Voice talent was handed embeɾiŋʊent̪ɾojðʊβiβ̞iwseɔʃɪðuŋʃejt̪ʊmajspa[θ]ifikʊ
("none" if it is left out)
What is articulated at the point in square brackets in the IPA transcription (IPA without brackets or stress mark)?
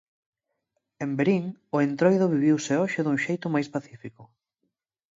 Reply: θ